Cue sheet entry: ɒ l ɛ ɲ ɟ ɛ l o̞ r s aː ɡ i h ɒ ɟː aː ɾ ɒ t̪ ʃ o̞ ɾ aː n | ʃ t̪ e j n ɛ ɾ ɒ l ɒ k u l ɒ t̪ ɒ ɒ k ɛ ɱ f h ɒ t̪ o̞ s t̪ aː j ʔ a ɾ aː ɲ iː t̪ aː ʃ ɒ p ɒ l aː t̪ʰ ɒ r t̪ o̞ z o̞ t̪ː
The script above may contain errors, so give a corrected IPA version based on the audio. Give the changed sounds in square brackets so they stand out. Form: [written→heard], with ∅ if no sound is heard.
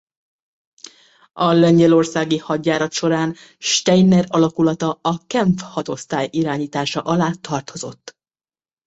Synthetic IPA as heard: ɒ l ɛ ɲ ɟ ɛ l o̞ r s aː ɡ i h ɒ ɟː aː ɾ ɒ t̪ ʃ o̞ ɾ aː n | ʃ t̪ [e→ɛ] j n ɛ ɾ ɒ l ɒ k u l ɒ t̪ ɒ ɒ k ɛ ɱ f h ɒ t̪ o̞ s t̪ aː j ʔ [a→i] ɾ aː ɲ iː t̪ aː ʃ ɒ [p→ʔ] ɒ l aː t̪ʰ ɒ r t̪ o̞ z o̞ t̪ː